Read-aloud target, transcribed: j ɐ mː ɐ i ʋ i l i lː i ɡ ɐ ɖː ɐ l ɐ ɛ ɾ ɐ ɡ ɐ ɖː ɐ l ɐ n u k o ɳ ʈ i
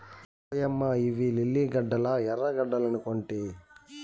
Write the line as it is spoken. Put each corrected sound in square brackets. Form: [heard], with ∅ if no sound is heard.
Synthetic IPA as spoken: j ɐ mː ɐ i ʋ i l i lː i ɡ ɐ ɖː ɐ l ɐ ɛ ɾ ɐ ɡ ɐ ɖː ɐ l ɐ n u k o ɳ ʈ i